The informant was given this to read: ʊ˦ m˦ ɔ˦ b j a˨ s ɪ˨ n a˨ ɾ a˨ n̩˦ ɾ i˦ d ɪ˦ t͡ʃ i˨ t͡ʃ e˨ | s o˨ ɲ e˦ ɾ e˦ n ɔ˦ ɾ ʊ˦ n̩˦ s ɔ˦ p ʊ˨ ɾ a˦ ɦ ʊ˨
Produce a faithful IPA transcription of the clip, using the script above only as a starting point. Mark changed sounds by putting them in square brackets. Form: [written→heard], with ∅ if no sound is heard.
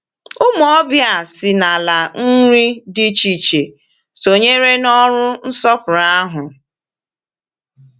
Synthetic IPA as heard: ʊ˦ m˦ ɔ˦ b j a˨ s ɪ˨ n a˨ [ɾ→l] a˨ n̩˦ ɾ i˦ d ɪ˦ t͡ʃ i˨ t͡ʃ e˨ | s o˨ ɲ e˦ ɾ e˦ n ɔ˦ ɾ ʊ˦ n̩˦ s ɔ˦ p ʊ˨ ɾ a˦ ɦ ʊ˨